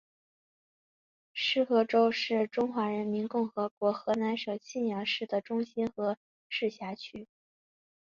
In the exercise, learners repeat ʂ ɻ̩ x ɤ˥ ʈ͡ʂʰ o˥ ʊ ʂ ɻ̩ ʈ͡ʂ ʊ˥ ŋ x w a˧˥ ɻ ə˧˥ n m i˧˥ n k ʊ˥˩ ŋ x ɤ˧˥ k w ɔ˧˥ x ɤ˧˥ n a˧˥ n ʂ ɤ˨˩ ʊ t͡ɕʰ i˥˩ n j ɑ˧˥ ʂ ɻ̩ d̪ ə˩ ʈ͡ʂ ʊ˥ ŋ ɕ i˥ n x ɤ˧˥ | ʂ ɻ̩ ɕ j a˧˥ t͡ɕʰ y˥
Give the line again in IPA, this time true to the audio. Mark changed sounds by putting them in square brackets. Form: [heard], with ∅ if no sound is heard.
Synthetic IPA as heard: ʂ ɻ̩ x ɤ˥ [ʈ͡ʂ] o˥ ʊ ʂ ɻ̩ ʈ͡ʂ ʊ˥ ŋ x w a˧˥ ɻ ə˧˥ n m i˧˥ n k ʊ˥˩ ŋ x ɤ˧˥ k w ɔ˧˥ x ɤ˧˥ n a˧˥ n ʂ ɤ˨˩ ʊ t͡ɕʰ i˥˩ n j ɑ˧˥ ʂ ɻ̩ d̪ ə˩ ʈ͡ʂ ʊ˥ ŋ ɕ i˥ n x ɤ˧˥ | ʂ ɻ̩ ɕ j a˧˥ t͡ɕʰ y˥